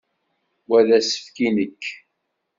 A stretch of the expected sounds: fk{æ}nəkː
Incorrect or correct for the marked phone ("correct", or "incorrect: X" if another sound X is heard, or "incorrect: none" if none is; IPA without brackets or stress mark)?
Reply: incorrect: i